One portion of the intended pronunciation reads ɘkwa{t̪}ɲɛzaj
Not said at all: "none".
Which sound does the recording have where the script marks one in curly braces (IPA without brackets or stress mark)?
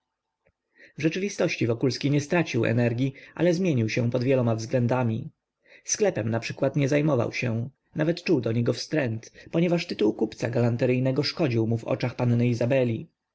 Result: t̪